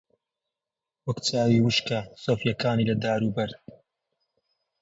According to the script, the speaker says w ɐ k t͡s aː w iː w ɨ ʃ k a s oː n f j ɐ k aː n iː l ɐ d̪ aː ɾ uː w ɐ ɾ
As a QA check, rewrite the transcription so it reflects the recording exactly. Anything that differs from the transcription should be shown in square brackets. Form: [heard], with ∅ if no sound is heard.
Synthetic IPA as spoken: w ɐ k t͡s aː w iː w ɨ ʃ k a s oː [∅] f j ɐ k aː n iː l ɐ d̪ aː ɾ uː [b] ɐ ɾ